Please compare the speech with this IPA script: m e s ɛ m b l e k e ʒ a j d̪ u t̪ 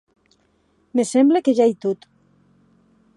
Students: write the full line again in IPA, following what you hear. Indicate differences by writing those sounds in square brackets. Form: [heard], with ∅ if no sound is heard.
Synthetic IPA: m e s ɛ m b l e k e ʒ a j [t̪] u t̪